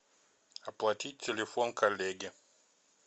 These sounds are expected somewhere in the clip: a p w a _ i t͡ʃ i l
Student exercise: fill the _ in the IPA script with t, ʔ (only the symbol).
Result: t